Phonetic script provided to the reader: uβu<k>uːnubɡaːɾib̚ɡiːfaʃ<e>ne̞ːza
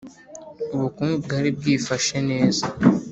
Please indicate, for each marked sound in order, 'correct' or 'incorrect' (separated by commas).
correct, correct